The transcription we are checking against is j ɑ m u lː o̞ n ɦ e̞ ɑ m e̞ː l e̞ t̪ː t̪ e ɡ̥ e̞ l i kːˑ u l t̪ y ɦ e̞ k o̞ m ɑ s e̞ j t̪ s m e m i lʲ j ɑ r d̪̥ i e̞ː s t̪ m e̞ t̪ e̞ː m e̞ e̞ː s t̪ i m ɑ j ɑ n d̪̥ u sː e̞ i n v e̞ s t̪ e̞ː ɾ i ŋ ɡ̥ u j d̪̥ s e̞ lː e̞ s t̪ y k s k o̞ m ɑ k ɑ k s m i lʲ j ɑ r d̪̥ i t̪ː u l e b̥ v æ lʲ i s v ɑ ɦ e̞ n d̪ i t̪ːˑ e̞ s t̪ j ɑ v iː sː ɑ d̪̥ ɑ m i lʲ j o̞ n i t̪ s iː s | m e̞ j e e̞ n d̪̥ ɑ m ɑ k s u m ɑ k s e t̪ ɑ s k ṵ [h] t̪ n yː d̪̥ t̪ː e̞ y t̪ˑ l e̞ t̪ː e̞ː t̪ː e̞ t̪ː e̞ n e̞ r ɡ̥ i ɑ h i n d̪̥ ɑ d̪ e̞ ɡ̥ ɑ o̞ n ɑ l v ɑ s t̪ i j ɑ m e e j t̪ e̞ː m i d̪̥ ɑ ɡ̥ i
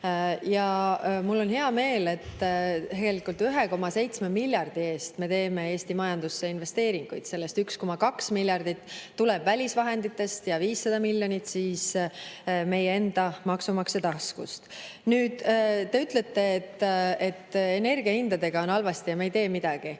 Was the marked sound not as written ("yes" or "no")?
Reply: yes